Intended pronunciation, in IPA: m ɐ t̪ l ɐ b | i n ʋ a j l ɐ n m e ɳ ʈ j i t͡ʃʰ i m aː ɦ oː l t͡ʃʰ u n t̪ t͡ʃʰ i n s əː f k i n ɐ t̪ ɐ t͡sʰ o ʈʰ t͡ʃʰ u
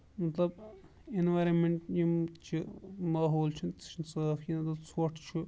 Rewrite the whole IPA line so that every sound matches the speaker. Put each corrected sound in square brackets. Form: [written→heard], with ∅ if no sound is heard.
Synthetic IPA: m ɐ t̪ l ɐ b | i n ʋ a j [l→ɾ] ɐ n m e ɳ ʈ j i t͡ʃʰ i m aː ɦ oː l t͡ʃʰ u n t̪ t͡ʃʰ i n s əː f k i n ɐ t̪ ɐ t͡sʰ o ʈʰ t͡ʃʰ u